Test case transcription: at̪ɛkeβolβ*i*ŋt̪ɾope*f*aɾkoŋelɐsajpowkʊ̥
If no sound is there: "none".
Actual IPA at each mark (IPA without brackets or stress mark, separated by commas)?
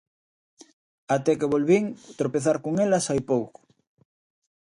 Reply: i, θ